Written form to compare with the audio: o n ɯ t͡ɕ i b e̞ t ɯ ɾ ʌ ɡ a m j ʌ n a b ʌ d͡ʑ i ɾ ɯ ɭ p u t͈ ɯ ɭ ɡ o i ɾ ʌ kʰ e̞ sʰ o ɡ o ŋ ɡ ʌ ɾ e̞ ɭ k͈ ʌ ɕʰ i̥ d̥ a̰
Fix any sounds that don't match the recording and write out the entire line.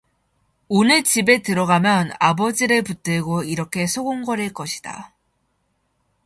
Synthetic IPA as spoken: o n ɯ t͡ɕ i b e̞ t ɯ ɾ ʌ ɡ a m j ʌ n a b ʌ d͡ʑ i ɾ ɯ ɭ p u t͈ ɯ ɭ ɡ o i ɾ ʌ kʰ e̞ sʰ o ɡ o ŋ ɡ ʌ ɾ e̞ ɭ k͈ ʌ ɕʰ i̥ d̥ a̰